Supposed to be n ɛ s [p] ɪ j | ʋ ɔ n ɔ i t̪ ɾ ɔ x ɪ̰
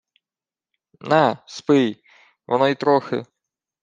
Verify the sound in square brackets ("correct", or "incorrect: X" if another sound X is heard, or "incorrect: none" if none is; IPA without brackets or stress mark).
correct